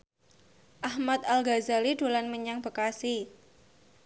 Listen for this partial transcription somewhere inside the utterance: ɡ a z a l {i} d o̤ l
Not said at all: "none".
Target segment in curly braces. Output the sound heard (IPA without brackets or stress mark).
i